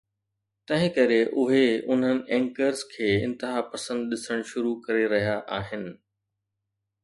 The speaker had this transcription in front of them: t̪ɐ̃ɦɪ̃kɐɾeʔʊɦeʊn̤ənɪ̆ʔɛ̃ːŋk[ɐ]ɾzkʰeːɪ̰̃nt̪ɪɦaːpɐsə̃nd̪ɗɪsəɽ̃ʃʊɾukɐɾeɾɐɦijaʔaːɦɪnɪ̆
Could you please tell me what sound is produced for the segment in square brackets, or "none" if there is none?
ə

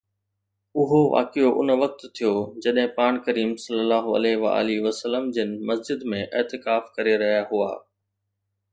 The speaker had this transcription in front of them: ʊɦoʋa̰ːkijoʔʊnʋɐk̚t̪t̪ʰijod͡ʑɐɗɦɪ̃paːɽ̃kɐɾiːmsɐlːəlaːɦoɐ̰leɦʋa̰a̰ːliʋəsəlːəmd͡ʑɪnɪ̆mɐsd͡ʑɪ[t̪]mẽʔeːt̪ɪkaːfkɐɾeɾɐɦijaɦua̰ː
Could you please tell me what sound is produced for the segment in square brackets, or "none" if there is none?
d̪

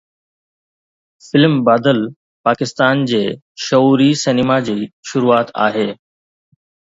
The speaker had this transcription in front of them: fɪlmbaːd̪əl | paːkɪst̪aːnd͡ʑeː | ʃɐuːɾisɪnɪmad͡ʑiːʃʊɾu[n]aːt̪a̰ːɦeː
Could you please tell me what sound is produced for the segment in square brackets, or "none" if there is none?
none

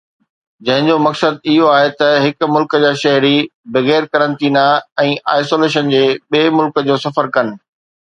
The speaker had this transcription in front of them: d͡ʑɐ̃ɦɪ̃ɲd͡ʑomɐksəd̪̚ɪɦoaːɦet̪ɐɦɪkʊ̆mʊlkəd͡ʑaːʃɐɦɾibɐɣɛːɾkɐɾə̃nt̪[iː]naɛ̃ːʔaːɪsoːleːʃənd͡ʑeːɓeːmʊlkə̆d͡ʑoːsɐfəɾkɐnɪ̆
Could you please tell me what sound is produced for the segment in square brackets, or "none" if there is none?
iː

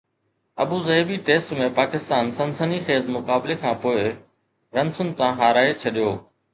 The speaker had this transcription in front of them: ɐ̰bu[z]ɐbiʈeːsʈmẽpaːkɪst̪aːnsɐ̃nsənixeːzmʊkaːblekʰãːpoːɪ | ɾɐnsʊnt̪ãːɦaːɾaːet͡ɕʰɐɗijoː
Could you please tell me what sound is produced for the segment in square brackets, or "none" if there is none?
z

